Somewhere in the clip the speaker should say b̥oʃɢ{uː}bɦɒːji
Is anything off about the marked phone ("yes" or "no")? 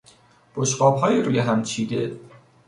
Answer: yes